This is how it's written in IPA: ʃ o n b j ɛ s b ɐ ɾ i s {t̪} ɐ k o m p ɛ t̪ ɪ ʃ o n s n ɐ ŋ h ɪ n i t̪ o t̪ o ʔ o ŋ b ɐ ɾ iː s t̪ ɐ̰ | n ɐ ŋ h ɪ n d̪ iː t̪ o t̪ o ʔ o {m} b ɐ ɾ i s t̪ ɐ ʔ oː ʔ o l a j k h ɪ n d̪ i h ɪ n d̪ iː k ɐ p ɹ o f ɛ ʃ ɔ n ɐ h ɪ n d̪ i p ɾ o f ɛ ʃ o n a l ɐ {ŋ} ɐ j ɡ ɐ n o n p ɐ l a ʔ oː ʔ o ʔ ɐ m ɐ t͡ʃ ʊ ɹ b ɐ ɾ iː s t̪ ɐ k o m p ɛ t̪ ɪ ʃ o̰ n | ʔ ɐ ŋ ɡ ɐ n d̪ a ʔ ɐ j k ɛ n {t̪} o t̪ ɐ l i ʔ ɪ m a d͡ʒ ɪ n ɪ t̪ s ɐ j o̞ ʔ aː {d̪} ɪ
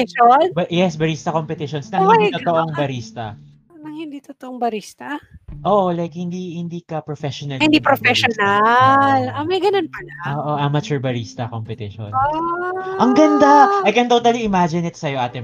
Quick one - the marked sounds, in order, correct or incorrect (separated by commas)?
correct, incorrect, incorrect, correct, incorrect